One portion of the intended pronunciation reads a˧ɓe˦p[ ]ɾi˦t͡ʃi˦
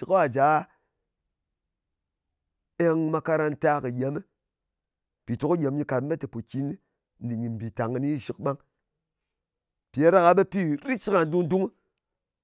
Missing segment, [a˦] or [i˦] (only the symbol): i˦